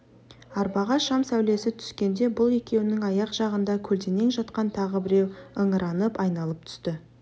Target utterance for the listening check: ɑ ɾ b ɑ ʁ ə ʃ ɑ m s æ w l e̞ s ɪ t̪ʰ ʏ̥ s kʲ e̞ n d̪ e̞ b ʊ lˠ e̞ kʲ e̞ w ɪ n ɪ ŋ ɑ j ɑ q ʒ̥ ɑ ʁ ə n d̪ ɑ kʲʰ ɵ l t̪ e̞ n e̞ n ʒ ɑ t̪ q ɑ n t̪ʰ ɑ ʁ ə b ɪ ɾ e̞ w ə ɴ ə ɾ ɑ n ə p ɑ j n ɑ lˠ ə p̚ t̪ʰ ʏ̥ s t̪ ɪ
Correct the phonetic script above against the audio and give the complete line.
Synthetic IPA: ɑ ɾ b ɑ ʁ ɑ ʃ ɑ m s æ w l e̞ s ɪ t̪ʰ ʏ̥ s kʲ e̞ n d̪ e̞ b ʊ lˠ e̞ kʲ e̞ w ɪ n ɪ ŋ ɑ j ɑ q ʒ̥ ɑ ʁ ə n d̪ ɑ kʲʰ ɵ l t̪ e̞ n e̞ ŋ ʒ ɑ t̪ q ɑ n t̪ʰ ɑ ʁ ə b ɪ ɾ e̞ w ə ɴ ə ɾ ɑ n ə p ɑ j n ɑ lˠ ə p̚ t̪ʰ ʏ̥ s t̪ ɪ